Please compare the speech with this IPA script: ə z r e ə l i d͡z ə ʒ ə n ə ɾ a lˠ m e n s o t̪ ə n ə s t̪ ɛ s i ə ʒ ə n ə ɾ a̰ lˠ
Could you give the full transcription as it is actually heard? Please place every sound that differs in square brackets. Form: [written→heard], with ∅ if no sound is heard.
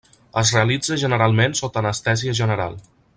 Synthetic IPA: ə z r e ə l i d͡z ə ʒ ə n ə ɾ a lˠ m e n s o t̪ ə n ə s t̪ ɛ [s→z] i ə ʒ ə n ə ɾ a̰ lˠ